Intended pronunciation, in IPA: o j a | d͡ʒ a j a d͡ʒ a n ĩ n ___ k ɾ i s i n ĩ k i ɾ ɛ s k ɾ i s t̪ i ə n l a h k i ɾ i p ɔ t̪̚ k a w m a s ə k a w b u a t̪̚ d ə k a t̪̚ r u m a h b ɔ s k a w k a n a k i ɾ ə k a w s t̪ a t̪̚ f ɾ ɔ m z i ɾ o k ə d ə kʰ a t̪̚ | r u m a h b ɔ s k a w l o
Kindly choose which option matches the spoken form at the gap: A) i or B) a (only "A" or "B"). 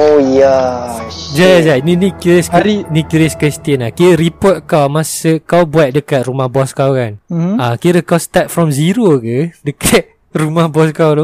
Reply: A